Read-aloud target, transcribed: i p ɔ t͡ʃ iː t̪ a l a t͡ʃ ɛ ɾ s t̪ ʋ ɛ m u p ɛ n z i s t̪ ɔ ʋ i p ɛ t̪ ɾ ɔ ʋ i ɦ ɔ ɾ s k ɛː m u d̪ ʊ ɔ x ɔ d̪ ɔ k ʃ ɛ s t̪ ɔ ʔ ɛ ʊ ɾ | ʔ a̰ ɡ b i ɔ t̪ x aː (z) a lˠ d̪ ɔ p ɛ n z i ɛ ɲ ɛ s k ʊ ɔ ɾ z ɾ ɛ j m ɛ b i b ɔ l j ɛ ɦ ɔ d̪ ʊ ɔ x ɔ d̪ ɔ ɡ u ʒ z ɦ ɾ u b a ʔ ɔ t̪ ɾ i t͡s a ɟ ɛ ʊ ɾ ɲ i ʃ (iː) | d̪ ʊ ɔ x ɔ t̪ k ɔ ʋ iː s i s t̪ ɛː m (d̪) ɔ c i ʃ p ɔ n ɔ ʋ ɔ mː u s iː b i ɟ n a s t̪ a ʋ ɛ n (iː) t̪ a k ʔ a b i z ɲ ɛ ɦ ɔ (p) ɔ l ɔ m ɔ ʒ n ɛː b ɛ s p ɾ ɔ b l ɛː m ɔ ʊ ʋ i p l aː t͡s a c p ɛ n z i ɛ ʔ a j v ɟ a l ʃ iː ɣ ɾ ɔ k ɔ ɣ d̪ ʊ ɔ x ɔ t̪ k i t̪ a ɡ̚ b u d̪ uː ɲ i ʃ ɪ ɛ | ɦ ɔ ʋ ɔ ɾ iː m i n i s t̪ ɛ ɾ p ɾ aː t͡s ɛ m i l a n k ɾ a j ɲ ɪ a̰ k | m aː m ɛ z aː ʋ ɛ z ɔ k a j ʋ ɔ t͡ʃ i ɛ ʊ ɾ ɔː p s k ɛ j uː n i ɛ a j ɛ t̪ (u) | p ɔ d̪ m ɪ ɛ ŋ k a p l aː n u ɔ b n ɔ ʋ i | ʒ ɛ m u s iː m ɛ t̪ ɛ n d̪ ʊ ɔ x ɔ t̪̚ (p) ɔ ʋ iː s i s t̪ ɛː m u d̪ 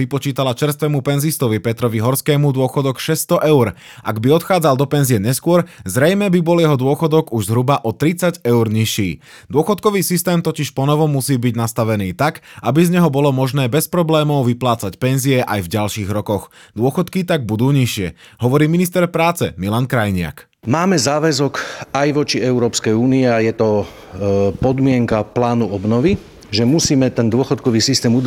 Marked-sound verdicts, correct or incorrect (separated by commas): incorrect, correct, incorrect, correct, incorrect, incorrect, incorrect